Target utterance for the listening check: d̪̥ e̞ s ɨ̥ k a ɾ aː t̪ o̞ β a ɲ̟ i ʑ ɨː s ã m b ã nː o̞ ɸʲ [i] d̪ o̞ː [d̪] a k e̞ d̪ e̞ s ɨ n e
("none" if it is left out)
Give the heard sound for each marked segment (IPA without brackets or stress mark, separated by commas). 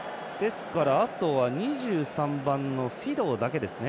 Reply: i, d̪